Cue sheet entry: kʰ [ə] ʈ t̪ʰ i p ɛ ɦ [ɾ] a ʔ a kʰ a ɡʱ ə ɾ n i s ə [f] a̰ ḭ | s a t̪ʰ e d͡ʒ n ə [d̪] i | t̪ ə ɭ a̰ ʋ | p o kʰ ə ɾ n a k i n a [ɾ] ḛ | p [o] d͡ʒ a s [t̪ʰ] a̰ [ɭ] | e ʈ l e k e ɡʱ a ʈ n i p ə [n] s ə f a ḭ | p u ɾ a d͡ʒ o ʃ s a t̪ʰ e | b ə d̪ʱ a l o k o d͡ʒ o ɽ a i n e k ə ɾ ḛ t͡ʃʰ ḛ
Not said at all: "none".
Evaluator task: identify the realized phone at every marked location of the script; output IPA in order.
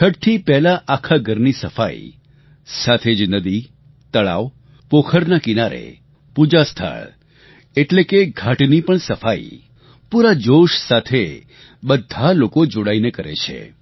ə, l, f, d̪, ɾ, u, t̪ʰ, ɭ, ɳ

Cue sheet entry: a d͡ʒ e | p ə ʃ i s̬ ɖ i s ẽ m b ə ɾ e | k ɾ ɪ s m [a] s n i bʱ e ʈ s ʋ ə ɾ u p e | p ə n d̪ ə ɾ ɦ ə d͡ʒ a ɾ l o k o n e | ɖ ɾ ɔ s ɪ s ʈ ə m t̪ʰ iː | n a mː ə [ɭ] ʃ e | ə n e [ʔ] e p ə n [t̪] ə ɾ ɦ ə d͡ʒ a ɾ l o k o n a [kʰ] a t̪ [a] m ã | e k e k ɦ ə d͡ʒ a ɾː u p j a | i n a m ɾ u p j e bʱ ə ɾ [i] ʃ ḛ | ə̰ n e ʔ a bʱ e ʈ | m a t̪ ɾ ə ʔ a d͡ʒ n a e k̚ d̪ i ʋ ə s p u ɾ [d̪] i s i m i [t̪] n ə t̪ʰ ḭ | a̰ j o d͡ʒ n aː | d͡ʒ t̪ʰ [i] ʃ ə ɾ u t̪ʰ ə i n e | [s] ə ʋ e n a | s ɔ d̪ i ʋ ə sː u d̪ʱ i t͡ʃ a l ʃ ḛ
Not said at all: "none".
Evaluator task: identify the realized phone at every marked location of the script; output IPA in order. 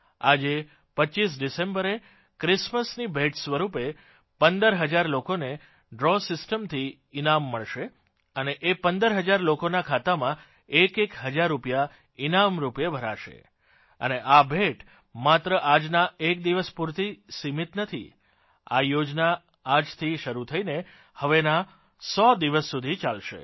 ə, ɭ, ʔ, d̪, kʰ, a, a, t̪, t̪, i, h

